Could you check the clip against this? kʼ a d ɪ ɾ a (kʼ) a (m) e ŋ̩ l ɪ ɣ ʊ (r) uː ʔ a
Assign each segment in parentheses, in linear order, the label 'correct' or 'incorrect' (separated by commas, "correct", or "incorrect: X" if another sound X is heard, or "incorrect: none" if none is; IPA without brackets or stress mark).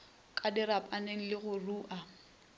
incorrect: pʼ, incorrect: n, correct